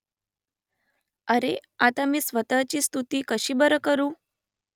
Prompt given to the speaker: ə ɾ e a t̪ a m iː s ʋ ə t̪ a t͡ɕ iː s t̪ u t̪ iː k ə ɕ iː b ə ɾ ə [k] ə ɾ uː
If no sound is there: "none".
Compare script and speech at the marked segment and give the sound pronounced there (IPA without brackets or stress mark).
k